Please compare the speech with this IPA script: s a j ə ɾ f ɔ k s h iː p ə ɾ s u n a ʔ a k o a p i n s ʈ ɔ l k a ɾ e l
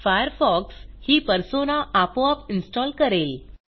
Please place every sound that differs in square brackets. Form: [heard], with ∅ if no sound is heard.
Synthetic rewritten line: [f] a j ə ɾ f ɔ k s h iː p ə ɾ s [o] n a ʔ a [p] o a p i n s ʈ ɔ l k [ə] ɾ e l